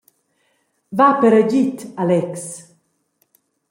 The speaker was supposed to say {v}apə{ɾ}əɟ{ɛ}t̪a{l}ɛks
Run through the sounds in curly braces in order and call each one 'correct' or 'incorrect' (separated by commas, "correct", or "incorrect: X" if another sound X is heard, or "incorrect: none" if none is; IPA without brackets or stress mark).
correct, correct, incorrect: i, correct